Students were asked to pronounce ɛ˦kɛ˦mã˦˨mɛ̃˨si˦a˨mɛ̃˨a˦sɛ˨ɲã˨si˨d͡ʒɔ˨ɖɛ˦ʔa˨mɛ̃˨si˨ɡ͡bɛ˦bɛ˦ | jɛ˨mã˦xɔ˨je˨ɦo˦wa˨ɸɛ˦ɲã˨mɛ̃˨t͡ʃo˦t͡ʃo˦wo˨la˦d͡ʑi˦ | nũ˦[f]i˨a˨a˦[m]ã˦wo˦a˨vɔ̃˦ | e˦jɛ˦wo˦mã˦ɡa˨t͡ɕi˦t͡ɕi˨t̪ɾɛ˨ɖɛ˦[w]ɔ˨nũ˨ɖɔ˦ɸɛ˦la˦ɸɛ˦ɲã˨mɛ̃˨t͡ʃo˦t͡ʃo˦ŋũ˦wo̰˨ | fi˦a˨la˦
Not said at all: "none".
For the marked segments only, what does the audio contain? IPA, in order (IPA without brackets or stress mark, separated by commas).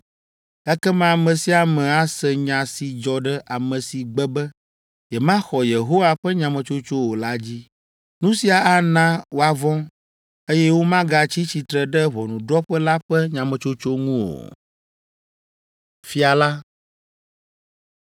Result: s, n, β